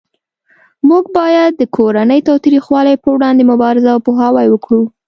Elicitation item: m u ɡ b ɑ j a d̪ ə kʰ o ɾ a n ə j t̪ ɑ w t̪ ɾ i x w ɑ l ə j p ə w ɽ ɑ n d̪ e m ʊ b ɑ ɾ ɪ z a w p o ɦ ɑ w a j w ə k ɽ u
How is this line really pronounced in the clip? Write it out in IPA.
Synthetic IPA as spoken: m u ɡ b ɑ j a d̪ː ə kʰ o ɾ a n ə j t̪ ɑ w t̪ ɾ i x w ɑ l a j p ə w ɽ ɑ n d̪ e m ʊ b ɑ ɾ ɪ z a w p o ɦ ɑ w a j w ə k ɽ u